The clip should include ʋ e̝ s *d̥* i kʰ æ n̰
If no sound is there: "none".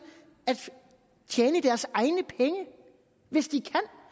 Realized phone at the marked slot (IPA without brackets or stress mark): d̥